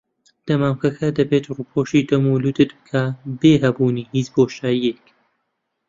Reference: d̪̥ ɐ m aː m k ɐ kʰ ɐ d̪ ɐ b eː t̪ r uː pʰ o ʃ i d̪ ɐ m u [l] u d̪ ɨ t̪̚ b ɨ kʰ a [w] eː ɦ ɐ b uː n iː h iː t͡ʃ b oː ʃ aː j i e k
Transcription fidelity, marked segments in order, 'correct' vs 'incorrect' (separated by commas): correct, incorrect